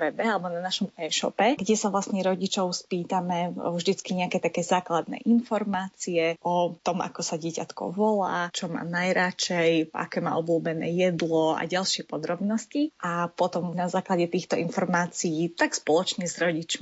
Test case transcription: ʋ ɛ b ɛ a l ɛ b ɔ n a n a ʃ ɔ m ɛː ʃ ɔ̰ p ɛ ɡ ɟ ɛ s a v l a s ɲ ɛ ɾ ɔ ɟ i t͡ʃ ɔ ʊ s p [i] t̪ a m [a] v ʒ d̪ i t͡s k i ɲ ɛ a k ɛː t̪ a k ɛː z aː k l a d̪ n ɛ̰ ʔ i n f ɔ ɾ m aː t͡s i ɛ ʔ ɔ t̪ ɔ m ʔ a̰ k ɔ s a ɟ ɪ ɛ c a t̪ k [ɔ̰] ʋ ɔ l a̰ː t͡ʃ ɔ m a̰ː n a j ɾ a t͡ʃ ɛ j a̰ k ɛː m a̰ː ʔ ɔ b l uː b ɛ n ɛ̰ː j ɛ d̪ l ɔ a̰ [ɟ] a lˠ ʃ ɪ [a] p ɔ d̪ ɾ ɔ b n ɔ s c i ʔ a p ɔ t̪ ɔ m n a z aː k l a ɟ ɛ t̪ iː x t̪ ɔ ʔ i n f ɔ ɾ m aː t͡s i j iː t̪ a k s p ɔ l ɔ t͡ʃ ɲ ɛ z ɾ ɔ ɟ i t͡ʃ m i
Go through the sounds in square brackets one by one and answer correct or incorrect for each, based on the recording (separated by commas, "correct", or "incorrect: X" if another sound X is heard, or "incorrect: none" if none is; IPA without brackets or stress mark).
incorrect: iː, incorrect: ɛ, correct, correct, incorrect: ɛ